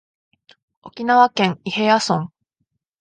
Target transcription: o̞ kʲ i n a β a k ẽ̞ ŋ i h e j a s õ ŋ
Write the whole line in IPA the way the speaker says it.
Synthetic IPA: o̞ kʲ i n a β a k ẽ̞ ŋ i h e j a s õ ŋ